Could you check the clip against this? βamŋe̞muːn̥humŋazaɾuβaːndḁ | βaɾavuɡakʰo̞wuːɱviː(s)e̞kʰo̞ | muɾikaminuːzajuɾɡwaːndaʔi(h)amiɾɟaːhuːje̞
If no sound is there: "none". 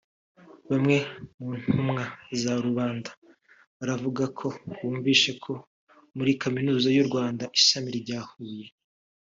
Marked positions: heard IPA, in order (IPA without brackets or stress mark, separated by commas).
ʃ, ʃ